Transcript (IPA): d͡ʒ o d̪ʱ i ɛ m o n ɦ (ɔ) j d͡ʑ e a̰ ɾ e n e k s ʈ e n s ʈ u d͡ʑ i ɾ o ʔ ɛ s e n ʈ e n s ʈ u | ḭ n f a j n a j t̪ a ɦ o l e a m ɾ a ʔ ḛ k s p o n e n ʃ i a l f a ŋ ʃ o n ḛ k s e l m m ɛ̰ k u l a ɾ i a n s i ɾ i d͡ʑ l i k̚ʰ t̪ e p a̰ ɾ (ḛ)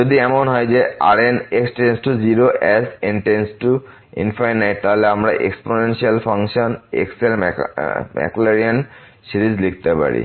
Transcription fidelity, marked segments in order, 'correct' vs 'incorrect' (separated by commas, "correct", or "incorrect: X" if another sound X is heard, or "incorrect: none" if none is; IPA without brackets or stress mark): correct, incorrect: ḭ